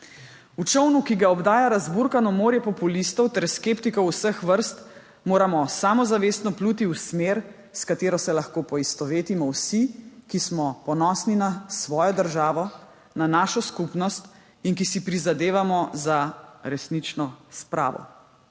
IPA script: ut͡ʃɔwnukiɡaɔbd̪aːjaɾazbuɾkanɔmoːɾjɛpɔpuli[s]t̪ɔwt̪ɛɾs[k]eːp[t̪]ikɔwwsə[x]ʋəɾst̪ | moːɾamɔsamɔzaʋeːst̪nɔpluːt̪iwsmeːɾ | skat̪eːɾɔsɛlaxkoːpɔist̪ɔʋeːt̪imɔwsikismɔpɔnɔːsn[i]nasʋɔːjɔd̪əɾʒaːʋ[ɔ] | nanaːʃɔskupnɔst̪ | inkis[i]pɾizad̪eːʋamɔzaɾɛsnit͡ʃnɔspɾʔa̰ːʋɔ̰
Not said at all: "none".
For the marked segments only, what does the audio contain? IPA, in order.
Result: s, k, t̪, x, i, ɔ, i

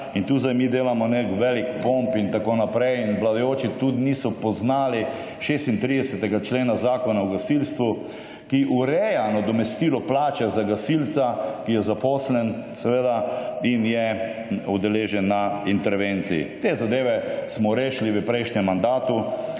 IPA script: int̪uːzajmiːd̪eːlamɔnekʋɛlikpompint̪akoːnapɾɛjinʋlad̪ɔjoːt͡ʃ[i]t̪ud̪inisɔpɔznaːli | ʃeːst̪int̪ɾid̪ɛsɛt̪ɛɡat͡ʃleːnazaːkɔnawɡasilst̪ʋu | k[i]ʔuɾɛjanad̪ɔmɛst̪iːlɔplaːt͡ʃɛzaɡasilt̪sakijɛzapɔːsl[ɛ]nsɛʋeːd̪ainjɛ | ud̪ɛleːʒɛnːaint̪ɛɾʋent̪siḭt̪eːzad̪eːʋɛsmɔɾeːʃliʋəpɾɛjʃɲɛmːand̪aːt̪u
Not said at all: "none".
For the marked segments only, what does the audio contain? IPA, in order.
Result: i, i, ɛ

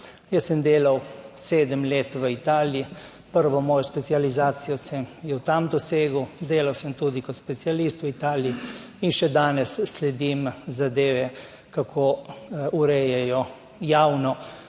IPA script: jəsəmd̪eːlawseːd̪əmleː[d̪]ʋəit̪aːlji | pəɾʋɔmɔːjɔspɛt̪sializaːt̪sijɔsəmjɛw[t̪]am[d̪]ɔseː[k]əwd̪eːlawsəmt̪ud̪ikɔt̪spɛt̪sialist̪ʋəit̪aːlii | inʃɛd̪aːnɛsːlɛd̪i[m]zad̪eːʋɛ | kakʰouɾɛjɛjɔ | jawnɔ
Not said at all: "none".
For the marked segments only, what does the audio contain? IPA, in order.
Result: t̪, t̪, d̪, ɡ, m

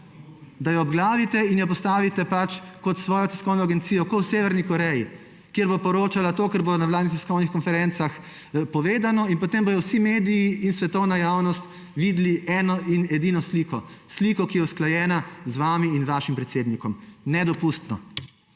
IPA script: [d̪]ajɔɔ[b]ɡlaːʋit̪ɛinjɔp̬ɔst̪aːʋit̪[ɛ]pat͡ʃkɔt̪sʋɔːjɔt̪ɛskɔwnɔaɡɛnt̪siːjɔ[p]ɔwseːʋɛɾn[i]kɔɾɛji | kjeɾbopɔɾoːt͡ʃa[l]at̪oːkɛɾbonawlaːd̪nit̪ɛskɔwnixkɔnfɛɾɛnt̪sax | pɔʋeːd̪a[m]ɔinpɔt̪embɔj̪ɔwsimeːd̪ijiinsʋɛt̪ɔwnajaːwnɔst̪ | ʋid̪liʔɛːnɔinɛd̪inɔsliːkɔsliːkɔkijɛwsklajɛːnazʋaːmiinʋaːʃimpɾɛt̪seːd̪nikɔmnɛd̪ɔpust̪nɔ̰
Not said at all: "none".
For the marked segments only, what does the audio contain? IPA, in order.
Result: d̪, b, ɛ, k, i, l, n

